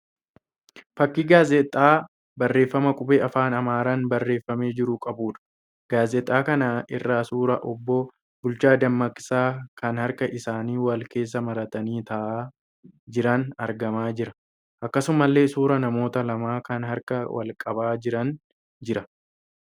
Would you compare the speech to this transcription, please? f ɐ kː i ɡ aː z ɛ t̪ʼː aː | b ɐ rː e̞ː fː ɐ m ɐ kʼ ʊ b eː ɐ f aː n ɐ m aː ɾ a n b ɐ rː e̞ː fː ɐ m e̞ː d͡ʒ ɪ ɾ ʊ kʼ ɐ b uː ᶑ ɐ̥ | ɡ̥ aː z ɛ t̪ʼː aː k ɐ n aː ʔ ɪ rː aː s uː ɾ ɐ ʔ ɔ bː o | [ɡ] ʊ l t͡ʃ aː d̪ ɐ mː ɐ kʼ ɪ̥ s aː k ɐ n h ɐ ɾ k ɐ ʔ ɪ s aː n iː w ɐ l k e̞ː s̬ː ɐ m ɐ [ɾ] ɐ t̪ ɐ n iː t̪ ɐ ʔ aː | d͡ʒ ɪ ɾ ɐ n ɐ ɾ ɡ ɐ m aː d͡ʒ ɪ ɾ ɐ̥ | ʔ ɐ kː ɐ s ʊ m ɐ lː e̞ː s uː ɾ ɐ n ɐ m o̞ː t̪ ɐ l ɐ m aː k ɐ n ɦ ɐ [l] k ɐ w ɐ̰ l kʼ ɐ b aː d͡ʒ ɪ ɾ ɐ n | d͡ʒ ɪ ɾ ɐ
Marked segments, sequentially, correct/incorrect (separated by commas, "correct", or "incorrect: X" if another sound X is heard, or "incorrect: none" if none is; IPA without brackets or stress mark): incorrect: b, correct, incorrect: ɾ